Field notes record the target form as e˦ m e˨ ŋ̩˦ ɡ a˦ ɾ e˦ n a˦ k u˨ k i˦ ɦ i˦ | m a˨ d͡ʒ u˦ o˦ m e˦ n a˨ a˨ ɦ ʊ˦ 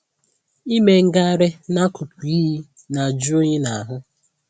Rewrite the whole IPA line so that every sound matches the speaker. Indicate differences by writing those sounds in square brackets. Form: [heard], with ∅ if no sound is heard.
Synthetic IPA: [i˦] m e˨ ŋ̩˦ ɡ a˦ ɾ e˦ n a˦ k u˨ [p] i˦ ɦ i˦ | [n] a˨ d͡ʒ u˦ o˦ [ɲ] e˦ n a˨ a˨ ɦ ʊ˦